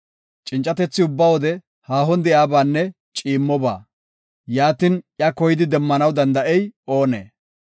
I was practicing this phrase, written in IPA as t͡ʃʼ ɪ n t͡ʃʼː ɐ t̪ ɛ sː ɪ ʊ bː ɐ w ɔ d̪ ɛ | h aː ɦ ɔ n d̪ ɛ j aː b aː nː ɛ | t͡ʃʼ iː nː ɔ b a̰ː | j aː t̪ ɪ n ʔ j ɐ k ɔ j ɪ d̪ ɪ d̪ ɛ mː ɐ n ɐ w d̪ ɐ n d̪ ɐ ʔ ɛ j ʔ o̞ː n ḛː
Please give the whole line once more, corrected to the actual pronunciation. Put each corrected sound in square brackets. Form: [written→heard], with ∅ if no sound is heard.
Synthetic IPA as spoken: t͡ʃʼ ɪ n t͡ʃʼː ɐ t̪ ɛ [sː→t͡sː] ɪ ʊ bː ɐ w ɔ d̪ ɛ | h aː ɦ ɔ n d̪ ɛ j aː b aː nː ɛ | t͡ʃʼ iː [nː→mː] ɔ b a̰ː | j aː t̪ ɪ n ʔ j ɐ k ɔ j ɪ d̪ ɪ d̪ ɛ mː ɐ n ɐ w d̪ ɐ n d̪ ɐ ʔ ɛ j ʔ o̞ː n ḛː